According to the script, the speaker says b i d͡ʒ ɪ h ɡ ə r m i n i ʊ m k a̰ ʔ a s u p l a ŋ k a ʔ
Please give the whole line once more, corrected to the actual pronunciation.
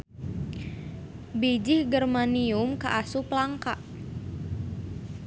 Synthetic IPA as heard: b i d͡ʒ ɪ h ɡ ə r m a n i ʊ m k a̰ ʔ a s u p l a ŋ k a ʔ